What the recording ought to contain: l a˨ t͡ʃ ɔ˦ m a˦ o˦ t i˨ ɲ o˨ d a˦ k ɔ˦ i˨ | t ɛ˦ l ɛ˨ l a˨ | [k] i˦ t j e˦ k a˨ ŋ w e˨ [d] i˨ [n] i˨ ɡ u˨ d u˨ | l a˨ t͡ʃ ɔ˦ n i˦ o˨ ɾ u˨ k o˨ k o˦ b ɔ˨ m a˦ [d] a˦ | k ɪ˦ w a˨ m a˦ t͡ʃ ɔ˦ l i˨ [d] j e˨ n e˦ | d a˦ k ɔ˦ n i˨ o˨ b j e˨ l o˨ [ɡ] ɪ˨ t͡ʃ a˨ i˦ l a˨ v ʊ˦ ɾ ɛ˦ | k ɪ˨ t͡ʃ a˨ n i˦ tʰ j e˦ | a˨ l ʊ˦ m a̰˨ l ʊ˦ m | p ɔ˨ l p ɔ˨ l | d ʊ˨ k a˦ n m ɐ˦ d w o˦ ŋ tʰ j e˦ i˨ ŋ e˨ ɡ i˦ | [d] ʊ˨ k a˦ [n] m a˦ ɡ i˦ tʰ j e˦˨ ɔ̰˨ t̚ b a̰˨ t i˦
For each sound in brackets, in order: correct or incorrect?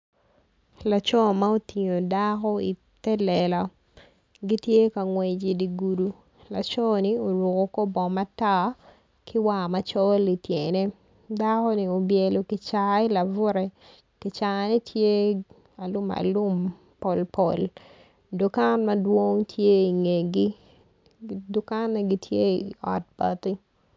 incorrect: ɡ, incorrect: d͡ʒ, incorrect: d, incorrect: t, incorrect: t, incorrect: k, correct, correct

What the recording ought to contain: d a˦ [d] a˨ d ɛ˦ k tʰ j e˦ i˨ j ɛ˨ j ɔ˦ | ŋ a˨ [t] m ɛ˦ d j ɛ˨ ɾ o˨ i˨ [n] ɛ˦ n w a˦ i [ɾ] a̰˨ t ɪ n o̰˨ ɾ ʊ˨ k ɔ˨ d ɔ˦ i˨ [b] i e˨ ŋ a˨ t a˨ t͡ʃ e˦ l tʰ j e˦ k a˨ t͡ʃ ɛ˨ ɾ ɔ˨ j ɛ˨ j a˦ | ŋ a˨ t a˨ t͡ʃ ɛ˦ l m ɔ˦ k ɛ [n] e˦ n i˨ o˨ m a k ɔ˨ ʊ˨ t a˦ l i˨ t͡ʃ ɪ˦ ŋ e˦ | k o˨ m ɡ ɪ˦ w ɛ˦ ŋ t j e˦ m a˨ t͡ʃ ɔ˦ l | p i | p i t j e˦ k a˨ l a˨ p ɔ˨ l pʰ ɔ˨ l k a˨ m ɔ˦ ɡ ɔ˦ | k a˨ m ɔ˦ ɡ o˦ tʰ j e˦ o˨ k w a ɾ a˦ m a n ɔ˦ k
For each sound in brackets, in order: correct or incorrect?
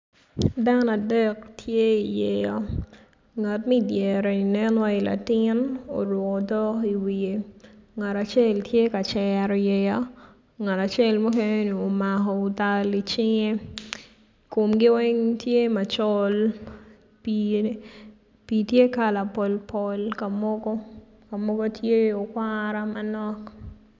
incorrect: n, correct, correct, incorrect: l, incorrect: w, correct

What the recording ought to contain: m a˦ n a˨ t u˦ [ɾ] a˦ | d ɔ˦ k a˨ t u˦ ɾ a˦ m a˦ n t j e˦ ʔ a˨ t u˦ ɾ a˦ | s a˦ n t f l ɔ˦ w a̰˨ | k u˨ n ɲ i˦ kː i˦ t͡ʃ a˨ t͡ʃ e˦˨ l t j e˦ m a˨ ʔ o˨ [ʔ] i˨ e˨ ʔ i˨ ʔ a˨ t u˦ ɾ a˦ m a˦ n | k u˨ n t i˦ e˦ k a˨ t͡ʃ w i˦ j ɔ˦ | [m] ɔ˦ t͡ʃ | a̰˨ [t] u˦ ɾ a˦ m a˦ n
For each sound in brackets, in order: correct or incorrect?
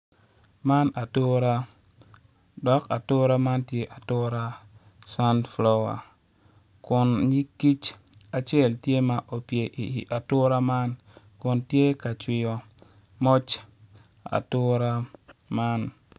correct, incorrect: p, correct, correct

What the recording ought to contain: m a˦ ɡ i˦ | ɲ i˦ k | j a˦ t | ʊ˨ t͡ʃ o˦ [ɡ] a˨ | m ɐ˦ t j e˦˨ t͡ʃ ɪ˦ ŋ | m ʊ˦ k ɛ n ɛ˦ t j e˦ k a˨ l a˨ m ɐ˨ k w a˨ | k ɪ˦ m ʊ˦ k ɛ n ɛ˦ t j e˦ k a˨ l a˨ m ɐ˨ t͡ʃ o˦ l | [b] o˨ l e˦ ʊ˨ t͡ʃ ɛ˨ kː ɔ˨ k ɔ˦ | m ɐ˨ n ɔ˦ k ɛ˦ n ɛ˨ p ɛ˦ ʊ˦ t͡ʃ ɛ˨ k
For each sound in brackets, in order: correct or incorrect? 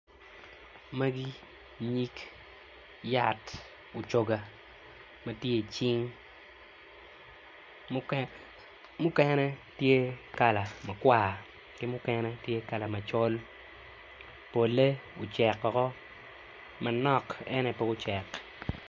correct, incorrect: p

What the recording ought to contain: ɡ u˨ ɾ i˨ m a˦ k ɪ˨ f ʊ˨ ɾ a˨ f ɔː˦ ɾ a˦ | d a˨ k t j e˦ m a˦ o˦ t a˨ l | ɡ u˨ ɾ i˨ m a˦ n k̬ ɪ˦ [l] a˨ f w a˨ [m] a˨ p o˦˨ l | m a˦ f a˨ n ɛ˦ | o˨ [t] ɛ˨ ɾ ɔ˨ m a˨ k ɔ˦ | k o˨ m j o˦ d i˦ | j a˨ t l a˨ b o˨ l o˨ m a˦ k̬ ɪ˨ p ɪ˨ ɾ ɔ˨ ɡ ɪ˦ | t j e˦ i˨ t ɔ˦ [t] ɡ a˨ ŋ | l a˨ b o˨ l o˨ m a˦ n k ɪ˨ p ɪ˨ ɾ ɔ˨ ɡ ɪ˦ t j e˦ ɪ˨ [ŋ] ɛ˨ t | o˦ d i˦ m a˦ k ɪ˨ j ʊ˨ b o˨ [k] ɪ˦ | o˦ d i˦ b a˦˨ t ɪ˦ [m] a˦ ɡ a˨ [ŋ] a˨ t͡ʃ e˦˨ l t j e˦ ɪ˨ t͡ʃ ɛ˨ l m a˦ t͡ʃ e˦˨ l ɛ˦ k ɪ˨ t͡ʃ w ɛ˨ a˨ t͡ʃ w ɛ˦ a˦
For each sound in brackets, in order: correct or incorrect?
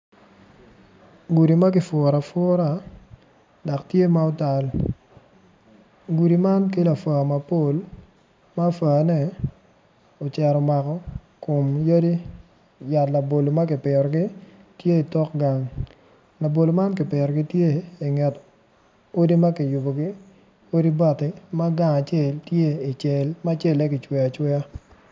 correct, correct, incorrect: t͡ʃ, incorrect: k, correct, incorrect: ɡ, correct, correct

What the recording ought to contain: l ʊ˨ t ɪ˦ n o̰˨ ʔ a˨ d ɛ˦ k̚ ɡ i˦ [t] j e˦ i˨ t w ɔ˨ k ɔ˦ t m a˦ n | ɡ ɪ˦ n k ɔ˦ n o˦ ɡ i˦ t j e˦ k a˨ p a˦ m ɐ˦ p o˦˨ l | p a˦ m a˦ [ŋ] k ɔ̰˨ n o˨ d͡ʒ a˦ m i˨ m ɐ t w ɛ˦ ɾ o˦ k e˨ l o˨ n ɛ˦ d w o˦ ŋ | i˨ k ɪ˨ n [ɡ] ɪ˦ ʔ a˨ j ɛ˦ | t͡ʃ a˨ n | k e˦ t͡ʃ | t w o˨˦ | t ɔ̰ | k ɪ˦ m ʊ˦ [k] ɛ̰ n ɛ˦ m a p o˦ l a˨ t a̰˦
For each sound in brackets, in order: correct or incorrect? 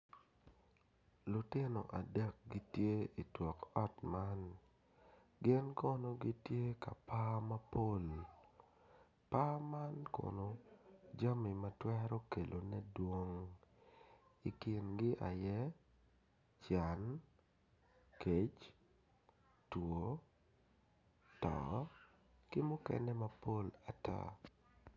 correct, incorrect: n, correct, correct

